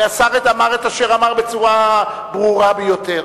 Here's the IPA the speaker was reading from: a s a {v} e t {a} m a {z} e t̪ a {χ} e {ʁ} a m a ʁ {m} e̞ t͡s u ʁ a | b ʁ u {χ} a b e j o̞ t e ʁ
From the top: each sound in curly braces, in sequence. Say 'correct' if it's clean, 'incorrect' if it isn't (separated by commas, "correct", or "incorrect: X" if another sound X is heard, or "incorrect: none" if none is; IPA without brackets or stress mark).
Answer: incorrect: ʁ, correct, incorrect: ʁ, incorrect: ʃ, correct, incorrect: b, incorrect: ʁ